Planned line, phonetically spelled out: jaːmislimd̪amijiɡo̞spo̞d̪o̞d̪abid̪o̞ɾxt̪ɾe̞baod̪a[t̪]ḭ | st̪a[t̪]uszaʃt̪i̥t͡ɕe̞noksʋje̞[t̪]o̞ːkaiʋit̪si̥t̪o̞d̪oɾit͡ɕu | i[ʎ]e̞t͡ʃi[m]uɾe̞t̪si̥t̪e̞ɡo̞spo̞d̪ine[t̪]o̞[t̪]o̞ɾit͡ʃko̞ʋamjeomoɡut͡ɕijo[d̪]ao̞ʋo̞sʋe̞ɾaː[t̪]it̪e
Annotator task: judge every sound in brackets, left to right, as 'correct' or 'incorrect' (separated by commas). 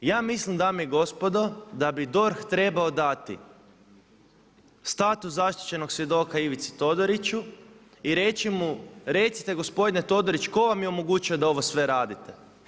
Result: correct, correct, incorrect, incorrect, correct, correct, incorrect, correct, incorrect